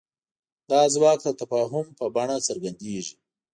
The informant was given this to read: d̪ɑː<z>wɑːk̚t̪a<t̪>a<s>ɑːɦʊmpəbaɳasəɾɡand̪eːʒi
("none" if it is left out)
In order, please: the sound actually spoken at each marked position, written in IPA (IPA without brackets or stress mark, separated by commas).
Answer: z, t̪, f